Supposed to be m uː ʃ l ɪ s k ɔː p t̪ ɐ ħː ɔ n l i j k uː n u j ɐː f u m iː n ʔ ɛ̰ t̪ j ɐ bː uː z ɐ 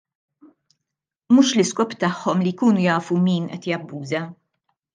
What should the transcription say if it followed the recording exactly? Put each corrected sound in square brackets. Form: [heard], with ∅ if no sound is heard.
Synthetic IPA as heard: m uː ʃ l ɪ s k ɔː p t̪ ɐ ħː ɔ [m] l i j k uː n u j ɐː f u m iː n ʔ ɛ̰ t̪ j ɐ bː uː z ɐ